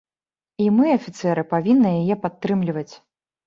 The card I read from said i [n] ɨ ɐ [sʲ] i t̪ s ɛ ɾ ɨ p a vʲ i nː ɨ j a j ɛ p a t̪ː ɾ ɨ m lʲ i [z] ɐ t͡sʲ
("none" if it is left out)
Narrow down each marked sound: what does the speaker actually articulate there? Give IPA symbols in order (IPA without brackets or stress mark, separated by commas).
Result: m, fʲ, v